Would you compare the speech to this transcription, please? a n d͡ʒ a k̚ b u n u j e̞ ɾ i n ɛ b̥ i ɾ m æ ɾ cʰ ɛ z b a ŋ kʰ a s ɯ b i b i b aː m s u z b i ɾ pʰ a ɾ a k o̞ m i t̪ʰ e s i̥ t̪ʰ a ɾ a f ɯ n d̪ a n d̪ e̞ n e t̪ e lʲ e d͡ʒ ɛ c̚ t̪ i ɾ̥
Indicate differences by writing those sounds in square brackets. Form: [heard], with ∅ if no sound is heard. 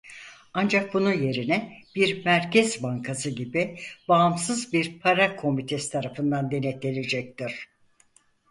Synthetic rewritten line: a n d͡ʒ a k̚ b u n u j e̞ ɾ i n ɛ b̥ i ɾ m æ ɾ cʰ ɛ z b a ŋ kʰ a s ɯ [ɟ] i b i b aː m s [ɯ] z b i ɾ pʰ a ɾ a [kʰ] o̞ m i t̪ʰ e s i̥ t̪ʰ a ɾ a f ɯ n d̪ a n d̪ e̞ n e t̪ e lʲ e d͡ʒ ɛ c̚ t̪ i ɾ̥